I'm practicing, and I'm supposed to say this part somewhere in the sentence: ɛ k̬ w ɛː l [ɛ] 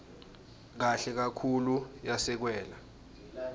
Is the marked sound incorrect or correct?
incorrect